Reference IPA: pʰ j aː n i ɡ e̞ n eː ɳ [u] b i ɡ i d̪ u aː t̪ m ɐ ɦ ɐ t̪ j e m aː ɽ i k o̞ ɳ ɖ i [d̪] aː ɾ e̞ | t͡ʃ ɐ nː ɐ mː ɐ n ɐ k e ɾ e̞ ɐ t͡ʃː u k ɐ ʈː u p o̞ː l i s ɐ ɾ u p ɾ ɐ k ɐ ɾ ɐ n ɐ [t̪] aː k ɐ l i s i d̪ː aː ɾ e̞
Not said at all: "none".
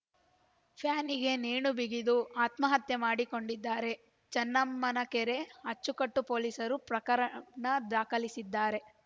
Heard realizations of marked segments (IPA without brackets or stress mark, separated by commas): u, d̪ː, d̪